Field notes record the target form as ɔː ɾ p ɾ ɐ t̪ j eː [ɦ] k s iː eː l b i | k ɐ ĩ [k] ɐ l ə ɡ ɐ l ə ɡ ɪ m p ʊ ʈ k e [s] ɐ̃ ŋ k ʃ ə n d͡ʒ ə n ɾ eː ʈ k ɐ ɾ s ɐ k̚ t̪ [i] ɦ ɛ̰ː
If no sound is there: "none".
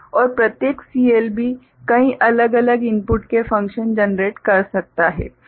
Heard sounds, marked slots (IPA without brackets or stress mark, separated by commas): none, ʔ, f, a